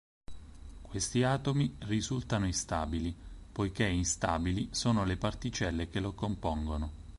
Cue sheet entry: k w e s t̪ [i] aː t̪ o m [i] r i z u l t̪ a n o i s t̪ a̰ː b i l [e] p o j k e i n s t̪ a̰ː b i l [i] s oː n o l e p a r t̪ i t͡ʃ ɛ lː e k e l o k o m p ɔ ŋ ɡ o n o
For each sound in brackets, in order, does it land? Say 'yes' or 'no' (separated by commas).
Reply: yes, yes, no, yes